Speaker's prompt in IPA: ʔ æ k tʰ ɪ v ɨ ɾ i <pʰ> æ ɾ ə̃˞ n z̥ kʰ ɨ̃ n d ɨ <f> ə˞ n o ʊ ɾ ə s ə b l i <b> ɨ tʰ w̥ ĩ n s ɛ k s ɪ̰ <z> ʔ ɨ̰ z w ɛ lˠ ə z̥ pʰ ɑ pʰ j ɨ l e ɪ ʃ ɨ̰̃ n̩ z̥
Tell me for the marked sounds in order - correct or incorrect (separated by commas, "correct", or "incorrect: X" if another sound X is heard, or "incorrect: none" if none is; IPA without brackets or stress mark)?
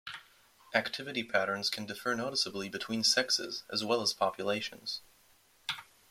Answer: correct, correct, correct, correct